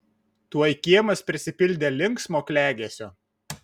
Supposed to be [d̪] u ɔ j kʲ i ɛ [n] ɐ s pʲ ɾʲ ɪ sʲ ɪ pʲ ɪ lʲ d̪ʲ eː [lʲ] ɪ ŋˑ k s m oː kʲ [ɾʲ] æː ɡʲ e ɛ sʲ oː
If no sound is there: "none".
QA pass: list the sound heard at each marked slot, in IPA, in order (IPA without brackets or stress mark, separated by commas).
t̪, m, lʲ, lʲ